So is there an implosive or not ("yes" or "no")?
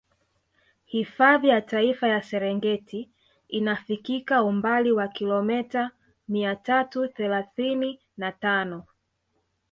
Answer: no